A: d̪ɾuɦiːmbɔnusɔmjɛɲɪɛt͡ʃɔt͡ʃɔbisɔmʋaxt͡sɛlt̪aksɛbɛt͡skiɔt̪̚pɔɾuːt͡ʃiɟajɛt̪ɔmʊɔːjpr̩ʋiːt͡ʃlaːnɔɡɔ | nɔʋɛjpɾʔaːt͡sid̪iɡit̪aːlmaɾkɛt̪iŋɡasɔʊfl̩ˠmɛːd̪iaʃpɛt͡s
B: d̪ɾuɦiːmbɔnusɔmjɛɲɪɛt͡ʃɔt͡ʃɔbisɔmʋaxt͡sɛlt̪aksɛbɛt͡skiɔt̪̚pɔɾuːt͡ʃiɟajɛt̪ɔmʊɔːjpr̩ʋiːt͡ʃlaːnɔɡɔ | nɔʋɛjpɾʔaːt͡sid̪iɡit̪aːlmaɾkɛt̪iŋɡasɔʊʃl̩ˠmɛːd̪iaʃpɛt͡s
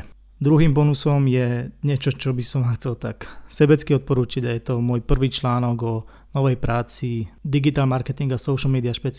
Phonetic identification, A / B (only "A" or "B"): B